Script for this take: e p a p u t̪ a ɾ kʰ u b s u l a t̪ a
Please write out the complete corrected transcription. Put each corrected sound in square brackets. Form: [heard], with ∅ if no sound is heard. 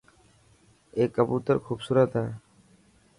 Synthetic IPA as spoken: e [k] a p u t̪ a ɾ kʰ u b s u [ɾ] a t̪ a